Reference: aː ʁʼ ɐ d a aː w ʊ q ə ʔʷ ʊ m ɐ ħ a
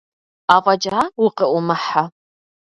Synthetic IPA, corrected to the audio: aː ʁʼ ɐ d͡ʒ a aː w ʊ q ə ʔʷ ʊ m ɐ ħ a